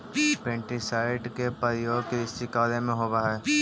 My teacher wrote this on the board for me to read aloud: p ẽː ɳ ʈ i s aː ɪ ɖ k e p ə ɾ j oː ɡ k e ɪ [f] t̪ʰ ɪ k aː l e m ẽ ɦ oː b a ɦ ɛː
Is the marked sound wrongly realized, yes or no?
yes